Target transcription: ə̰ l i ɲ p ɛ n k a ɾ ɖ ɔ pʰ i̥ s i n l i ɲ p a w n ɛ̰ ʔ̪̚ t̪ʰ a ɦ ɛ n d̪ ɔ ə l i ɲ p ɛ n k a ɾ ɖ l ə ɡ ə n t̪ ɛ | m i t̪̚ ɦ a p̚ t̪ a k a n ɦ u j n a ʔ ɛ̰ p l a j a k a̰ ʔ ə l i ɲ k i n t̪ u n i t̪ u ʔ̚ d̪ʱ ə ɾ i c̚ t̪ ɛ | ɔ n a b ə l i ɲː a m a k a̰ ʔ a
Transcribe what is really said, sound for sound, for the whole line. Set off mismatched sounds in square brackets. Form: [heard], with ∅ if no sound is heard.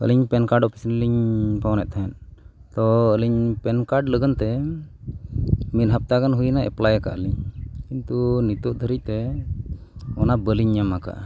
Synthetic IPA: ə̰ l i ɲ p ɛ n k a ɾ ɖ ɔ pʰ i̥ s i n l i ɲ p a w n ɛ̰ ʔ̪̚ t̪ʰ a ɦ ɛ n [t̪] ɔ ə l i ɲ p ɛ n k a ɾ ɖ l ə ɡ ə n t̪ ɛ | m i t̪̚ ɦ a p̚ t̪ a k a n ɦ u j n a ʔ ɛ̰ p l a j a k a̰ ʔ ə l i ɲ k i n t̪ u n i t̪ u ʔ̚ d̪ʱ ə ɾ i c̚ t̪ ɛ | ɔ n a b ə l i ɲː a m a k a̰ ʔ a